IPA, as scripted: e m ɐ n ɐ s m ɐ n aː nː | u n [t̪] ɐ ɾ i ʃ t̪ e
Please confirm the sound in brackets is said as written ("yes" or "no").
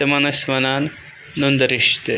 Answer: no